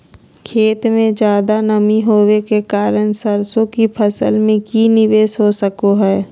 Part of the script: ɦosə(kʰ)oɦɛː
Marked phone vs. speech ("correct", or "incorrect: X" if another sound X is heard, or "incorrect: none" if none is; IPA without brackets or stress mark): incorrect: k